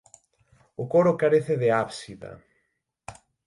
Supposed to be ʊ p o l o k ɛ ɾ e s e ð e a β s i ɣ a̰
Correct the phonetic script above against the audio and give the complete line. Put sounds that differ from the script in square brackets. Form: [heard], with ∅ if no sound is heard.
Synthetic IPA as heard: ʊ [k] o [ɾ] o k [a] ɾ e [θ] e ð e a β s i [ð] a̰